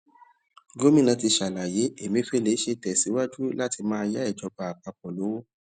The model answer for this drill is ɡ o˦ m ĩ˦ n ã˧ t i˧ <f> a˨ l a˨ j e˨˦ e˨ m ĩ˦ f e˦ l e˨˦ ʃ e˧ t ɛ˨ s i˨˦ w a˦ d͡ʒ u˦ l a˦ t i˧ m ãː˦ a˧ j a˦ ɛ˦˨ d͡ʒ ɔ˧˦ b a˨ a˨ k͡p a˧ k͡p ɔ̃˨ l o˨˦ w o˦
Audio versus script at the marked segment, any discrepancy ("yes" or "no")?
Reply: yes